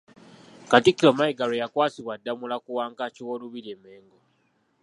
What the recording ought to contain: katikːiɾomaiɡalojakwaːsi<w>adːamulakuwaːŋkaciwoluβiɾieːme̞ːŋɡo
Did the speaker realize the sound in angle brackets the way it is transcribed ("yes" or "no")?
yes